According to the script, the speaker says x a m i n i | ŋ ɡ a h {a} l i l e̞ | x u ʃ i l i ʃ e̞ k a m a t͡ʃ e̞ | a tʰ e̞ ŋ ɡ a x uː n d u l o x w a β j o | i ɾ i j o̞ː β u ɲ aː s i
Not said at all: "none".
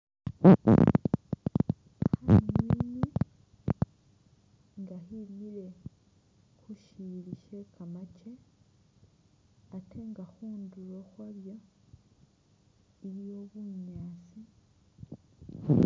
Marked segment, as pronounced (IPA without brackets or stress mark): i